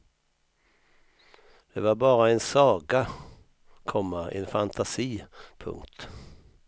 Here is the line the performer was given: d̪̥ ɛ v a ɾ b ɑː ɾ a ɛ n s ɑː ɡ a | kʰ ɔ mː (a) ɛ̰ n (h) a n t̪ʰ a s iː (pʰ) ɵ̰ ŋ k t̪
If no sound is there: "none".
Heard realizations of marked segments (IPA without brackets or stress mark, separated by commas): a, f, pʰ